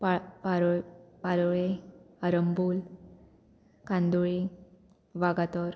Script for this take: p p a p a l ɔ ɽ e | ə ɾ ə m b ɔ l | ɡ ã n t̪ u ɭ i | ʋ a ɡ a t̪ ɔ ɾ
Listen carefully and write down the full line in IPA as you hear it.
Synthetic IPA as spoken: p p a p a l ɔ ɭ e | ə ɾ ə m b u l | k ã n d̪ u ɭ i | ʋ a ɡ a t̪ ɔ ɾ